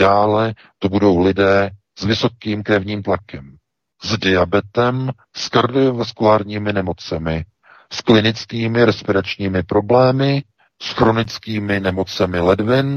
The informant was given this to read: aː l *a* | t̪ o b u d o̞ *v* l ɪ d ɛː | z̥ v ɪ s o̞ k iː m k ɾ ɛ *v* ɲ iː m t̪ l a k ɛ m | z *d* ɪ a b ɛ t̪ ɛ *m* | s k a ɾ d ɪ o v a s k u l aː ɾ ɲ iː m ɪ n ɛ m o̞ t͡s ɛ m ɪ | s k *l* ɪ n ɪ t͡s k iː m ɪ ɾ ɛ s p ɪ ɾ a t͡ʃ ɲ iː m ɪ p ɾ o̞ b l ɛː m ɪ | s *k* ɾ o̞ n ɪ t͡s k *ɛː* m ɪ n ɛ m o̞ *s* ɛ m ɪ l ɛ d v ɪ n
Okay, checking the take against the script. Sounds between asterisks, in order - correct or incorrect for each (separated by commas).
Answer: incorrect, incorrect, correct, correct, correct, correct, incorrect, incorrect, incorrect